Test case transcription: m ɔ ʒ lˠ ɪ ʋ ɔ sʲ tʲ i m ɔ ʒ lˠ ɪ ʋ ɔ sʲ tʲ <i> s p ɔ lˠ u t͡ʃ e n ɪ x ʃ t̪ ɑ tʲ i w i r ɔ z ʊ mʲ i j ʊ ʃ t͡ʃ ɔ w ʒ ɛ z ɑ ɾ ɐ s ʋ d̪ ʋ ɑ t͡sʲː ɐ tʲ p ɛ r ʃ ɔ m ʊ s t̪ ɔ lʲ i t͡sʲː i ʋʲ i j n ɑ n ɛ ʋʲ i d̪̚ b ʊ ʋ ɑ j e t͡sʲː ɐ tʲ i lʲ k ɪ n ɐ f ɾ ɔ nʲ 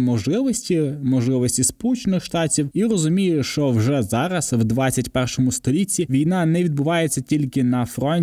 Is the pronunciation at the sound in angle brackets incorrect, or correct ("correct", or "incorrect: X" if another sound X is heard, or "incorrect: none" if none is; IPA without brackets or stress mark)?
correct